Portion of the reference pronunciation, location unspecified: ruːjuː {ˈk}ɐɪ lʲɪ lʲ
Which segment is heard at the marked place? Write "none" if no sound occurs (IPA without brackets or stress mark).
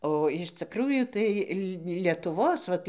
t